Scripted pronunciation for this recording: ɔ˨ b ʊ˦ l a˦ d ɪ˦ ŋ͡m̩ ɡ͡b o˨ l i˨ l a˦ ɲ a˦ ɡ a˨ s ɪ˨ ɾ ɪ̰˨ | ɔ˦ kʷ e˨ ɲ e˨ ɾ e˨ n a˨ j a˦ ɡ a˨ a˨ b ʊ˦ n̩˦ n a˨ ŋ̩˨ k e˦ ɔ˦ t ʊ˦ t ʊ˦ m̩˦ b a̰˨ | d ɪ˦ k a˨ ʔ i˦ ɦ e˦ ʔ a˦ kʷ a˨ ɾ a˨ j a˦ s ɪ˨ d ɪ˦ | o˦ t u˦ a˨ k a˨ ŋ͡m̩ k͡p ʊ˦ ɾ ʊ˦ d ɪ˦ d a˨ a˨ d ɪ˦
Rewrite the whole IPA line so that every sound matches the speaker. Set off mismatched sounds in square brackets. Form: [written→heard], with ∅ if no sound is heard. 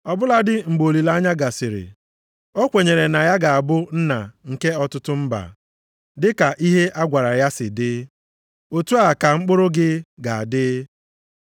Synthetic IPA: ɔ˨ b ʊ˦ l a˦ d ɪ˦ ŋ͡m̩ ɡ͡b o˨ l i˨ l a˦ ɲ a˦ ɡ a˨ s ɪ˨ ɾ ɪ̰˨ | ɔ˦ kʷ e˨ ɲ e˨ ɾ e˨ n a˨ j a˦ ɡ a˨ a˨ b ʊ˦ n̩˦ n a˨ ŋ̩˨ k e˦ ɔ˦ t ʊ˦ t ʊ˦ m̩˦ b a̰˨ | d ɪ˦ k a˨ ʔ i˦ ɦ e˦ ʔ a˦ [kʷ→ɡʷ] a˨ ɾ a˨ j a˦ s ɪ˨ d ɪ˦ | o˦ t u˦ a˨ k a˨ ŋ͡m̩ k͡p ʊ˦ ɾ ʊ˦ [d→ɡ] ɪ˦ [d→ɡ] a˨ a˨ d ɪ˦